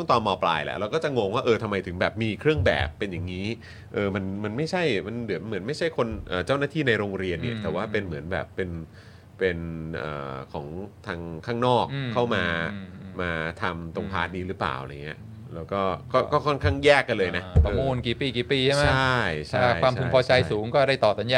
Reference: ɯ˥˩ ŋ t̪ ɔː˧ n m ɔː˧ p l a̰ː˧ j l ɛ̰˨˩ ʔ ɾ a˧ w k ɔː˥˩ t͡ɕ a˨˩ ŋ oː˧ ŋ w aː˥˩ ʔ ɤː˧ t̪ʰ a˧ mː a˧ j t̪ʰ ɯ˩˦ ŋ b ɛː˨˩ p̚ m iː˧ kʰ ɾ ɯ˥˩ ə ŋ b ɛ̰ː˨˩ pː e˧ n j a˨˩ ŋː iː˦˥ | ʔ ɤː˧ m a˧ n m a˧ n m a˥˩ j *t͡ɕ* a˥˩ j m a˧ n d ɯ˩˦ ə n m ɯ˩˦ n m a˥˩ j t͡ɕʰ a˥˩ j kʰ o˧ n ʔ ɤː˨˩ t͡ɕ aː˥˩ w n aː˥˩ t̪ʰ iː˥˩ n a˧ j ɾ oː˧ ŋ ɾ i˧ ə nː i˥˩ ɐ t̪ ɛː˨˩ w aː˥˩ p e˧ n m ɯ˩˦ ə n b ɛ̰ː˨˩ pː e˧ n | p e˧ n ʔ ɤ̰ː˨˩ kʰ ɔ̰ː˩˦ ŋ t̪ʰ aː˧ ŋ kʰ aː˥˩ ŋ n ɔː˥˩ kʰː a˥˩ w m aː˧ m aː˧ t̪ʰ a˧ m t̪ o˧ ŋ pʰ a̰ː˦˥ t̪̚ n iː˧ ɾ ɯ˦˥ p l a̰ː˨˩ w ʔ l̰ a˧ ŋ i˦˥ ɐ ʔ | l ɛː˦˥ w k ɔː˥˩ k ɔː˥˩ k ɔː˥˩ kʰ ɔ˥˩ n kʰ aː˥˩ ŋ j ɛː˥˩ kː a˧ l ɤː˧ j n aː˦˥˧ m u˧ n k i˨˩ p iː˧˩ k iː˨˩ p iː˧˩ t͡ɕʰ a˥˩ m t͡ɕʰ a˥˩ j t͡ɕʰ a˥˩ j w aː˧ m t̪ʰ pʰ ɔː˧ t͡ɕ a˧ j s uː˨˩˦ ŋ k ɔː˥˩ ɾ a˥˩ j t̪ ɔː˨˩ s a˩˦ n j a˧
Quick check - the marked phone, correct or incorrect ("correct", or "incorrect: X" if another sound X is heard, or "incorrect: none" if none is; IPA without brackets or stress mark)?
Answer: incorrect: t͡ɕʰ